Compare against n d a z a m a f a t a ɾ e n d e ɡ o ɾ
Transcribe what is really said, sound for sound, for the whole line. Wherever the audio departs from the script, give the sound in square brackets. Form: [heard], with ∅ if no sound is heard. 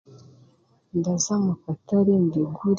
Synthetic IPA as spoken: n d a z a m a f a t a ɾ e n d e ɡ [u] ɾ